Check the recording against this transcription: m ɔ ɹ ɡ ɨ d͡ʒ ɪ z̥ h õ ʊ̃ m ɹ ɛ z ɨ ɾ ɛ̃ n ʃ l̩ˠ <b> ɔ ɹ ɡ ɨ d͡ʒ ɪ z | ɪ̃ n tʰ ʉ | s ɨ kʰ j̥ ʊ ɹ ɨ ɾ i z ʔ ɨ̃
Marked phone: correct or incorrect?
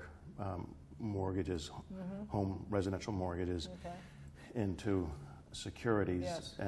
incorrect: m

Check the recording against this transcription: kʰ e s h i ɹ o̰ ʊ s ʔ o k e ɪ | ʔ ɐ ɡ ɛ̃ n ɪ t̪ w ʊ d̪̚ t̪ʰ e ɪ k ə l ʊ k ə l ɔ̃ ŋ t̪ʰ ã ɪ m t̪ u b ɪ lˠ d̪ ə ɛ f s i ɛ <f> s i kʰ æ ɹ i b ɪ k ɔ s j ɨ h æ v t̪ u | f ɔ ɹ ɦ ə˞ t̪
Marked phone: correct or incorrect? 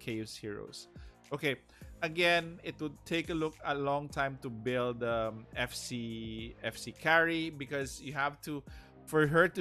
correct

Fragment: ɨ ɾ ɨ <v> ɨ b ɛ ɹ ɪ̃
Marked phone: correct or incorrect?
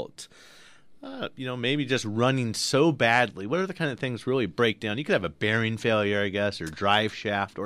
correct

